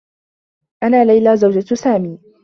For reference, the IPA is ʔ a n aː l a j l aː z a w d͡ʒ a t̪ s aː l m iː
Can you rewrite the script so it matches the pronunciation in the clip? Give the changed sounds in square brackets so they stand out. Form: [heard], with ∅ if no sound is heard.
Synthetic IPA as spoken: ʔ a n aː l a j l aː z a w d͡ʒ a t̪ s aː [∅] m iː